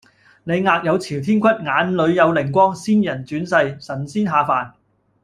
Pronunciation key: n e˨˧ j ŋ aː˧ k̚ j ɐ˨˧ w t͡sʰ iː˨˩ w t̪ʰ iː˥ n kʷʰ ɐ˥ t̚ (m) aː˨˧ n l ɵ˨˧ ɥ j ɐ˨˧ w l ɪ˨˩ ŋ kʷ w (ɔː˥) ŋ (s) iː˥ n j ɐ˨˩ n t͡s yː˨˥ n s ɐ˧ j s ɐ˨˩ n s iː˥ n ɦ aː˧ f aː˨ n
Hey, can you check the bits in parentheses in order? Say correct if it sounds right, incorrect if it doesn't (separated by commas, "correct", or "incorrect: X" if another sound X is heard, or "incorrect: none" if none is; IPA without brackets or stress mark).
incorrect: ŋ, correct, correct